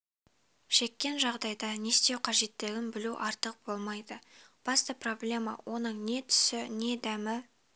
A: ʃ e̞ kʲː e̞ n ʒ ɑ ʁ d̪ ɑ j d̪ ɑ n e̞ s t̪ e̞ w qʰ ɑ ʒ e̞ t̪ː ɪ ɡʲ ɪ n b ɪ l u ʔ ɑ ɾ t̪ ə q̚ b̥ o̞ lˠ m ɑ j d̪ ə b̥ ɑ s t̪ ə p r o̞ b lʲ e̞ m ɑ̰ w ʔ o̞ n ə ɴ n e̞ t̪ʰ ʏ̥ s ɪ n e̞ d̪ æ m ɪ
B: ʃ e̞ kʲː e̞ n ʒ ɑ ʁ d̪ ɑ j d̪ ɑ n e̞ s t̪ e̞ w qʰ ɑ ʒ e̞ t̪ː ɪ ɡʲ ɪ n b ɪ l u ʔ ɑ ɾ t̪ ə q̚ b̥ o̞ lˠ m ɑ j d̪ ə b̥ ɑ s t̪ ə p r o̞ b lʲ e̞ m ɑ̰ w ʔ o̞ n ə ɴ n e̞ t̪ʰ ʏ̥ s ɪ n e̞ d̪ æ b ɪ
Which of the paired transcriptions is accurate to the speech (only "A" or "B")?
A